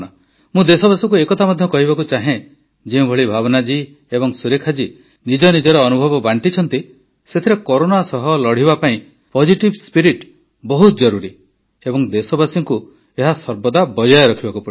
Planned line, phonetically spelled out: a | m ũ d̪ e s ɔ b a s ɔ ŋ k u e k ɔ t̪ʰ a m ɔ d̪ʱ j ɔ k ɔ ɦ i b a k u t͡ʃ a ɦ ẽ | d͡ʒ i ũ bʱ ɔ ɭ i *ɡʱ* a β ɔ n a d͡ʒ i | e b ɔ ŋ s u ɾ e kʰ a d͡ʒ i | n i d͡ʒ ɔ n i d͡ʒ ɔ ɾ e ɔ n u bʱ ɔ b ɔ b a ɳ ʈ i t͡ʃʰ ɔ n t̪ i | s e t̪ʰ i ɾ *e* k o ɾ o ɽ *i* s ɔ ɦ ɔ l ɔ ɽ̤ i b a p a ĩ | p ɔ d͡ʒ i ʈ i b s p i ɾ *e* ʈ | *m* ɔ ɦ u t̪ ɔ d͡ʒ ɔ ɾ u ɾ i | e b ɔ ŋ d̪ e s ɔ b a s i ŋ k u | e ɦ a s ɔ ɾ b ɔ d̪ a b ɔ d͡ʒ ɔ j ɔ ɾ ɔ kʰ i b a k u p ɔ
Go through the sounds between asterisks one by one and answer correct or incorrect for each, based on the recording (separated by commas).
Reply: incorrect, correct, incorrect, incorrect, incorrect